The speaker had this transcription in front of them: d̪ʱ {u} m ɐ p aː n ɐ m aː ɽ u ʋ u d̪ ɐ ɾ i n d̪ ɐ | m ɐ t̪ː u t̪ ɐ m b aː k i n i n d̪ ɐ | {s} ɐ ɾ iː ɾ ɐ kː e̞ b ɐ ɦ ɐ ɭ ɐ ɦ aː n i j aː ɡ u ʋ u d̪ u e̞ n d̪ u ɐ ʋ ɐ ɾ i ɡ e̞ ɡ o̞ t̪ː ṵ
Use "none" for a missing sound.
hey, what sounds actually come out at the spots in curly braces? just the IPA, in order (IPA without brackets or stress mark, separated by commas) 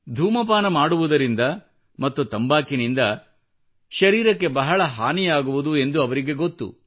uː, ʃ